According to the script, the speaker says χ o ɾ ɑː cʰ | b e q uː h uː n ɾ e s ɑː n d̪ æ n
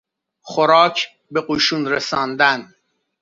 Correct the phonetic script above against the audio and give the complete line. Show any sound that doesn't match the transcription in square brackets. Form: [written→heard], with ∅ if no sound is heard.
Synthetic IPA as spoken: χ o ɾ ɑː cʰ | b e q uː [h→ʃ] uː n ɾ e s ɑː n d̪ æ n

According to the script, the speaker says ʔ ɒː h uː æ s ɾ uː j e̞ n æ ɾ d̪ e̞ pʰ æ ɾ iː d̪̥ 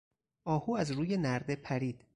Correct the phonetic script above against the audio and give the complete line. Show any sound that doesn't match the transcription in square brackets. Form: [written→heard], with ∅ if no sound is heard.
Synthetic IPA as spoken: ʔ ɒː h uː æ [s→z] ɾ uː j e̞ n æ ɾ d̪ e̞ pʰ æ ɾ iː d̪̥

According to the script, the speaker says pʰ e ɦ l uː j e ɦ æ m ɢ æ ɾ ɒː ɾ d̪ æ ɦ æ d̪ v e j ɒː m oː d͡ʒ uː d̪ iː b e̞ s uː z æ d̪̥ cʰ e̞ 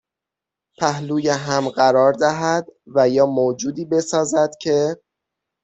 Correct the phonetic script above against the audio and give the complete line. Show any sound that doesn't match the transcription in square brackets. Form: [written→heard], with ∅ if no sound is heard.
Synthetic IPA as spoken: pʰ [e→æ] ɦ l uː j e ɦ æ m ɢ æ ɾ ɒː ɾ d̪ æ ɦ æ d̪ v [e→æ] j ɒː m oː d͡ʒ uː d̪ iː b e̞ s [uː→ɒː] z æ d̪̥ cʰ e̞

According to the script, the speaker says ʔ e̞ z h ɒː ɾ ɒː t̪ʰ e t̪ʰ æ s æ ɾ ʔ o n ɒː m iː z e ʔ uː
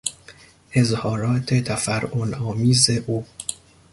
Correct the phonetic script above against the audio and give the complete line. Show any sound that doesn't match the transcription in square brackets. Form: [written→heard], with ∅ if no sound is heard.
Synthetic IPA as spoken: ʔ e̞ z h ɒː ɾ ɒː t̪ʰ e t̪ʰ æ [s→f] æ ɾ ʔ o n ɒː m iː z e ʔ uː

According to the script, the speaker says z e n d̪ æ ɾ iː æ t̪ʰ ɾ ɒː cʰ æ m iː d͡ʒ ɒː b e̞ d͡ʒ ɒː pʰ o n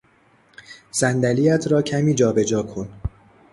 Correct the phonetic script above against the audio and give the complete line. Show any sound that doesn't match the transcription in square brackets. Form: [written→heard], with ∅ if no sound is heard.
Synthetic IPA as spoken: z [e→æ] n d̪ æ [ɾ→l] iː æ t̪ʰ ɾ ɒː cʰ æ m iː d͡ʒ ɒː b e̞ d͡ʒ ɒː [pʰ→kʰ] o n

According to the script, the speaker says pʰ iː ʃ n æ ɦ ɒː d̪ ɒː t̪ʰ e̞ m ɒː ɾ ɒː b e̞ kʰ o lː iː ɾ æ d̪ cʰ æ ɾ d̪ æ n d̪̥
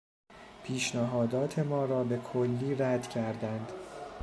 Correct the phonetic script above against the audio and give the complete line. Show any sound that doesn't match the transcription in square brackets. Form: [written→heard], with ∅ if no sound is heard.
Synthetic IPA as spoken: pʰ iː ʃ n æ ɦ ɒː d̪ ɒː t̪ʰ e̞ m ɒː ɾ ɒː b e̞ kʰ o lː iː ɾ æ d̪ cʰ æ ɾ d̪ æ n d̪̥

